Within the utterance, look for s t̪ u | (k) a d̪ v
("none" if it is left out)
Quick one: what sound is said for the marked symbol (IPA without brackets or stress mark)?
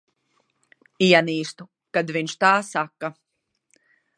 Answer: k